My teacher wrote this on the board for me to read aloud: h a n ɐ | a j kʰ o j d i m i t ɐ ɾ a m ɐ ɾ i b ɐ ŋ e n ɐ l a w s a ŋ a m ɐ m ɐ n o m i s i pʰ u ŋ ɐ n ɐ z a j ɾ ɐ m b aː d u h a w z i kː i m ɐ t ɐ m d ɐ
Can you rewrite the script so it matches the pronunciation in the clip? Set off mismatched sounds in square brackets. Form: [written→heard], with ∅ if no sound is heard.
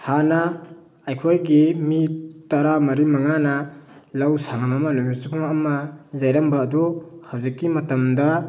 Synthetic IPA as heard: h a n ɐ | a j kʰ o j [d→ɡ] i m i t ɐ ɾ a m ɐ ɾ i [b→m] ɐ ŋ [e→a] n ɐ l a w s a ŋ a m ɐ m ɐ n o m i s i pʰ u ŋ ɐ [n→m] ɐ z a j ɾ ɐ m b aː d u h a w z i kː i m ɐ t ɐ m d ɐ